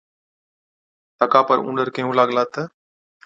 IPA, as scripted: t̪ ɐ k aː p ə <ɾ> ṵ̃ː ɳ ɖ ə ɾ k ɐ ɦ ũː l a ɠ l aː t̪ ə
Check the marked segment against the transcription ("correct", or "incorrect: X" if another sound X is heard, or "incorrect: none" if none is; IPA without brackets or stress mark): correct